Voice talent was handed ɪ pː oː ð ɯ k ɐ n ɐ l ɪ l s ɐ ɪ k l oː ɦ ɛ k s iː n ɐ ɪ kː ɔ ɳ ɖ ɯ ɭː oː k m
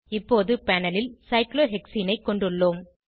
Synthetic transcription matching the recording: ɪ pː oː ð ɯ p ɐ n ɐ l ɪ l s ɐ ɪ k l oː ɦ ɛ k s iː n ɐ ɪ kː ɔ ɳ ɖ ɯ ɭː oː m